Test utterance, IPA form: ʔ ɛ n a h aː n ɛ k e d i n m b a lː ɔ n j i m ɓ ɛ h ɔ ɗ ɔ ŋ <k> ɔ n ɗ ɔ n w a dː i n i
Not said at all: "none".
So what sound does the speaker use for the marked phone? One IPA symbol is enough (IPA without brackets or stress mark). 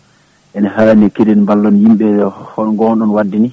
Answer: ɡ